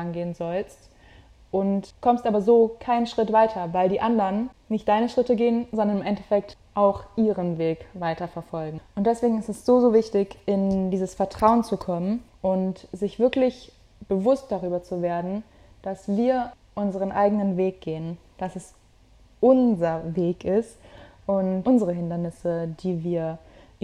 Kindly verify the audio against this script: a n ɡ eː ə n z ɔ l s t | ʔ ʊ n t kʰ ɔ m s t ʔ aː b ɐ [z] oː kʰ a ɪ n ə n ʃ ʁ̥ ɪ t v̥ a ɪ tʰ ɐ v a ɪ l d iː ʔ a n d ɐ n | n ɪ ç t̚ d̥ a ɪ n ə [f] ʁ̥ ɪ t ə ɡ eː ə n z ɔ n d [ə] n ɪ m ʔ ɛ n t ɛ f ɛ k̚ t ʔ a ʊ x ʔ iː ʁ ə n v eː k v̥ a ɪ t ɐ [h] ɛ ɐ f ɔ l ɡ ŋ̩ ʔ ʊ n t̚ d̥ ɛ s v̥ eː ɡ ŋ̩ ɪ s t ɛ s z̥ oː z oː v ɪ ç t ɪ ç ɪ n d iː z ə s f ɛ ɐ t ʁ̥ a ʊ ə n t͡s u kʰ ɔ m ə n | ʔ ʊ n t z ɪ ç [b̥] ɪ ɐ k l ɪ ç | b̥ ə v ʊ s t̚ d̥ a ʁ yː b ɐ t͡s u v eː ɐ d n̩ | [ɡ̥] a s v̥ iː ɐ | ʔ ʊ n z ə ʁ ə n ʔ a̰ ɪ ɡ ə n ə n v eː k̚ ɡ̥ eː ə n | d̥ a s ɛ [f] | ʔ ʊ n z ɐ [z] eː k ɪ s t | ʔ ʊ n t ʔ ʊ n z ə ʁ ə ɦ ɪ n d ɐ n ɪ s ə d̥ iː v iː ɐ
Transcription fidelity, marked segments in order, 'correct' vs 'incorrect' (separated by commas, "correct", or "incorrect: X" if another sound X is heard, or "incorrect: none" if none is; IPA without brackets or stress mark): correct, incorrect: ʃ, incorrect: ɐ, incorrect: f, incorrect: v̥, incorrect: d̥, incorrect: s, incorrect: v